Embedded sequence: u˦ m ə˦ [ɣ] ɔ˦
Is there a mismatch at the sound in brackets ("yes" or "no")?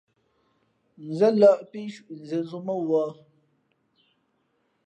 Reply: yes